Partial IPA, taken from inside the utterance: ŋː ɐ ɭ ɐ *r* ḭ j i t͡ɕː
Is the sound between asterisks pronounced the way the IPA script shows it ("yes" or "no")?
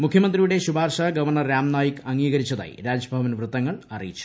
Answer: yes